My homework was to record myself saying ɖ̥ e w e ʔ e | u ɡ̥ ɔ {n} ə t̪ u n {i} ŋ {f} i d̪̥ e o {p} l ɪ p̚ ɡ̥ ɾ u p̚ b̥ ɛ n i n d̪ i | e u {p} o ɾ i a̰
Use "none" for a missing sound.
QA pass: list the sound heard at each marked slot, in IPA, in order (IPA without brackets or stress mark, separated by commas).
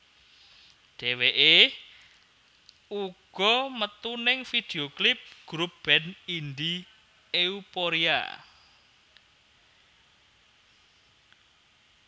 m, ɪ, f, k, p